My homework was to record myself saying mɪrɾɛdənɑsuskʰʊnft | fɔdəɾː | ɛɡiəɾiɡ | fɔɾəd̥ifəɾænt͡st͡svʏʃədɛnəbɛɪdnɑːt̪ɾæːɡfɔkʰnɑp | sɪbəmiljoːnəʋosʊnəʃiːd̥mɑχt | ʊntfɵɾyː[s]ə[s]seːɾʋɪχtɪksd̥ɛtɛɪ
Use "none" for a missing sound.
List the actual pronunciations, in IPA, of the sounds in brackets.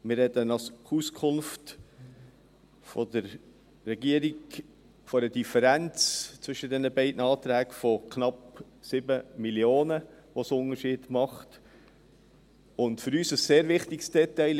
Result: s, s

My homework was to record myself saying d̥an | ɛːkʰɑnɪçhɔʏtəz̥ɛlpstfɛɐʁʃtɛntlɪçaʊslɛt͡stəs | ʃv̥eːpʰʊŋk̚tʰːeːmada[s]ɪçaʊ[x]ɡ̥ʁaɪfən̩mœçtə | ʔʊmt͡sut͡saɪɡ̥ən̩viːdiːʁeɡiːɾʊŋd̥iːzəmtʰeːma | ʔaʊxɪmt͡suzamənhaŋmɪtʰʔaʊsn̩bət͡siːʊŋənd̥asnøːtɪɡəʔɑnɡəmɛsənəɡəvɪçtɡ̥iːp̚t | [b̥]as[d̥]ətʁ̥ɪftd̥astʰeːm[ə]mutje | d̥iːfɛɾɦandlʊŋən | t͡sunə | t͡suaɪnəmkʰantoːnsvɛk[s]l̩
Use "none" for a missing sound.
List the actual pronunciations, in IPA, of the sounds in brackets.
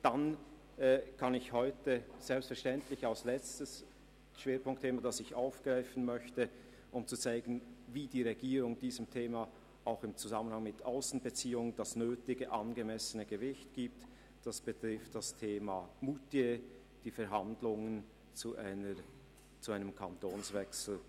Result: s, f, d̥, b̥, a, s

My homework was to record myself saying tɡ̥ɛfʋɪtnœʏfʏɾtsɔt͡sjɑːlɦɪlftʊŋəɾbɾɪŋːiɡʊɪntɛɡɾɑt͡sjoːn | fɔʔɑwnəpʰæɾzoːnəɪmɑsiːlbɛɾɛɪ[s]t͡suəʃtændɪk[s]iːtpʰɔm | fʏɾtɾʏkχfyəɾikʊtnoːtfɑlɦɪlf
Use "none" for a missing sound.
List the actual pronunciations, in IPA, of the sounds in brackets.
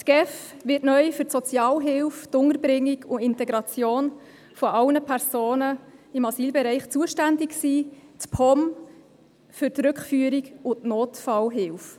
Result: χ, s

